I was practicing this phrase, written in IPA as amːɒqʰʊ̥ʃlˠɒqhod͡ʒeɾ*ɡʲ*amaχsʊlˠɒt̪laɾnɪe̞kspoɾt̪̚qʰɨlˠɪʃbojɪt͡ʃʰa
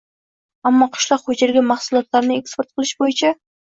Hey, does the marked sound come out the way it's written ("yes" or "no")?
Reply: yes